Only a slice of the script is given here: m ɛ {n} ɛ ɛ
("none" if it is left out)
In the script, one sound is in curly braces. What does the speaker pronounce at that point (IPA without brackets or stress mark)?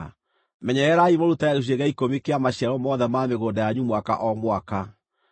ɲ